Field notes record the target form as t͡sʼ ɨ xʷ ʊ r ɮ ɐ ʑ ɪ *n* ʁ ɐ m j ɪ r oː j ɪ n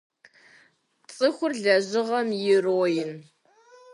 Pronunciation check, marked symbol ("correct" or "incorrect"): incorrect